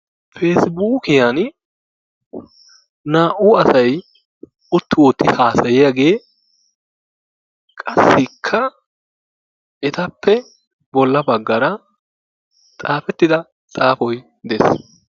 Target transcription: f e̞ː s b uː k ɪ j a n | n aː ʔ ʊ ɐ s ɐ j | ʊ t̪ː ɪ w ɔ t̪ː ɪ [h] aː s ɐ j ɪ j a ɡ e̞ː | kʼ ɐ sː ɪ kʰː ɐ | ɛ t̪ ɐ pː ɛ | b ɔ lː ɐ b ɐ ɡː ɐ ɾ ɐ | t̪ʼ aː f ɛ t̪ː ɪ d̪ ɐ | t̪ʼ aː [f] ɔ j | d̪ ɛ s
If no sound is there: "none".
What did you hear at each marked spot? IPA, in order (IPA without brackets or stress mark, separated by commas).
h, f